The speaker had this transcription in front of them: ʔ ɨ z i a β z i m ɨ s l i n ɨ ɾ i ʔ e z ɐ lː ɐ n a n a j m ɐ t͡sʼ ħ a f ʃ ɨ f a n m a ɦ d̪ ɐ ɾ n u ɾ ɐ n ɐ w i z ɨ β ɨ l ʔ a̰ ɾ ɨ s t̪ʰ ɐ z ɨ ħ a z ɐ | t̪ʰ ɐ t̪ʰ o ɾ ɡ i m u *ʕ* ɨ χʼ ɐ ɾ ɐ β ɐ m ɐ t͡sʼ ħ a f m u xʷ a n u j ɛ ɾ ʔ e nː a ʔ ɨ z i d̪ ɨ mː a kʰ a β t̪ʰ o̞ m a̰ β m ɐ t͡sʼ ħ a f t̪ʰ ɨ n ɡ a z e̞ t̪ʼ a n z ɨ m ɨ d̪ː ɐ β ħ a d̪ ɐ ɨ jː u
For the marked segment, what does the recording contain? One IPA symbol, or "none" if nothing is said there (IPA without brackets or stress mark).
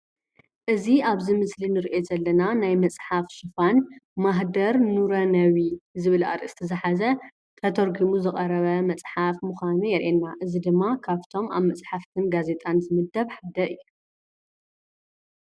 z